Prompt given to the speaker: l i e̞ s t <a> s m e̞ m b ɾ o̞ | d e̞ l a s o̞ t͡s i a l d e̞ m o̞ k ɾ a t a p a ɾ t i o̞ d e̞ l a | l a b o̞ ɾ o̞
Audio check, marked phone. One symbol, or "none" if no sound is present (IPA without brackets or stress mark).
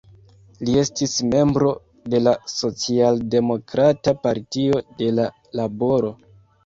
i